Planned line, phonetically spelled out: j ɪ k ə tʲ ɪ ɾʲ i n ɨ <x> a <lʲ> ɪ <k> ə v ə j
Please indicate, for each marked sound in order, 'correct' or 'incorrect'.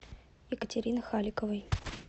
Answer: correct, correct, correct

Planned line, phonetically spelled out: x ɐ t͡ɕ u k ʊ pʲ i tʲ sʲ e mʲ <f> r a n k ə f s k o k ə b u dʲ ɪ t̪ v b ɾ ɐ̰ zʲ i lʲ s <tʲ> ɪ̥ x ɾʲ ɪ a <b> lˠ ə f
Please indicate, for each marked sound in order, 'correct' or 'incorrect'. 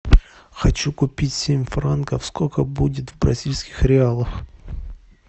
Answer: correct, incorrect: kʲ, incorrect: none

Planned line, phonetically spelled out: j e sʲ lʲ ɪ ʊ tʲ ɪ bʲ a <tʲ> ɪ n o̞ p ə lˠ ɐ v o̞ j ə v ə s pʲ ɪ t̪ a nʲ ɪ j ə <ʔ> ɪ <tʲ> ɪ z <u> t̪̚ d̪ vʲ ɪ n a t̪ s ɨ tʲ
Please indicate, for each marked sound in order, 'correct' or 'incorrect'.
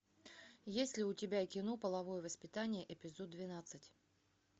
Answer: incorrect: kʲ, correct, incorrect: pʲ, incorrect: o

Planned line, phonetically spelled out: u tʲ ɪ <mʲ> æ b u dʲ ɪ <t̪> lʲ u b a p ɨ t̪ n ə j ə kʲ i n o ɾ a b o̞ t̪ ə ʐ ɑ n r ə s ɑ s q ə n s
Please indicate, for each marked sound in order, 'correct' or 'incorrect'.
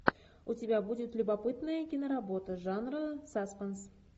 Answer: incorrect: bʲ, correct

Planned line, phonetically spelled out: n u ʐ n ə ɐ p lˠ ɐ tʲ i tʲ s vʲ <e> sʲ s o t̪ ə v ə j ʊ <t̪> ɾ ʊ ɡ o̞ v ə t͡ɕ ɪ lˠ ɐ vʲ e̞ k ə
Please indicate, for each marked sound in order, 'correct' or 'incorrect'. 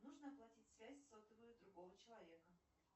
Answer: incorrect: æ, incorrect: d̪

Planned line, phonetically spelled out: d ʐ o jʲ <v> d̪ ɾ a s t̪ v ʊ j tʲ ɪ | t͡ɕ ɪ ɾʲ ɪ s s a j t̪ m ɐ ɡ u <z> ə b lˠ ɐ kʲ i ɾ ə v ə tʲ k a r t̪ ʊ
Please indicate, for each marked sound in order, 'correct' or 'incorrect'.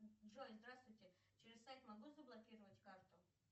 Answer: incorrect: z, correct

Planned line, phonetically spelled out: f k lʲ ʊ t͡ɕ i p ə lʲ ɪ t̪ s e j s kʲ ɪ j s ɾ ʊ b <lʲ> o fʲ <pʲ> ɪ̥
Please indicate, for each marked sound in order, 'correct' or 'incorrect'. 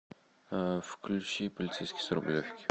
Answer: correct, incorrect: kʲ

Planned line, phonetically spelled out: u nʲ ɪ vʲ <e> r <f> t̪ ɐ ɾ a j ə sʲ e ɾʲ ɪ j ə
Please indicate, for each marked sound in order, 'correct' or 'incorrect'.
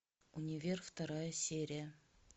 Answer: correct, correct

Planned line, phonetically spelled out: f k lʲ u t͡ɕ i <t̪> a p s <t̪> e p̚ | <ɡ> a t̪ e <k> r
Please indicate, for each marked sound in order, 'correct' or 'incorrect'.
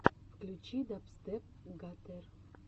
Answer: incorrect: d̪, correct, correct, incorrect: none

